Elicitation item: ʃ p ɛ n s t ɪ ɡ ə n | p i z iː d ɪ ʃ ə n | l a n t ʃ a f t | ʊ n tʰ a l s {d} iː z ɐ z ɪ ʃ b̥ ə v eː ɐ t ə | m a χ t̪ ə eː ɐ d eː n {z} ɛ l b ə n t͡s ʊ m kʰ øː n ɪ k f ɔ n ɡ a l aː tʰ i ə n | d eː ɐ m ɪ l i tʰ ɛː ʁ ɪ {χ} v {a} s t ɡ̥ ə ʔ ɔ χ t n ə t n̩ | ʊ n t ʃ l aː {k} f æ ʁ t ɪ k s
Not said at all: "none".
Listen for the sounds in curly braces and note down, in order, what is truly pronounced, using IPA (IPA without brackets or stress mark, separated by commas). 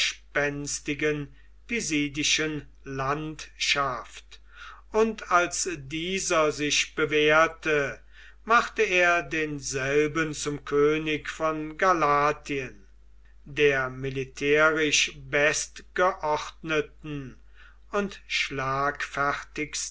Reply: d, z, ʃ, ɛ, k